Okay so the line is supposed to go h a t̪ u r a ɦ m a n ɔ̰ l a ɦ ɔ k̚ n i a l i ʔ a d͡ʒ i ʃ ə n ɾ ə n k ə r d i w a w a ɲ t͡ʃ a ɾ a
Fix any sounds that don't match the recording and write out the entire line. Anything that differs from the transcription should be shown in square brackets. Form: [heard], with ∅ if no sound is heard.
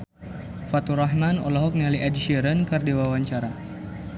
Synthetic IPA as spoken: [f] a t̪ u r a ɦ m a n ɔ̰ l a ɦ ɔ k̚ n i a l i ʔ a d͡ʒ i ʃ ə [∅] ɾ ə n k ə r d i w a w a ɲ t͡ʃ a ɾ a